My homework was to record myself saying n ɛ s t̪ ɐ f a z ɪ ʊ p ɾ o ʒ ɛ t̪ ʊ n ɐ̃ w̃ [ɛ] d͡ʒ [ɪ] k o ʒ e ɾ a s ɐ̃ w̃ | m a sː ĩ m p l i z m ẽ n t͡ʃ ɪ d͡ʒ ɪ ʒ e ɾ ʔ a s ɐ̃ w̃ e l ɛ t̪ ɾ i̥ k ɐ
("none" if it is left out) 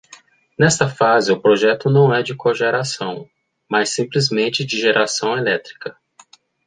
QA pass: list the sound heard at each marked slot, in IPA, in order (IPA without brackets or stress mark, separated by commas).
ɛ, ɪ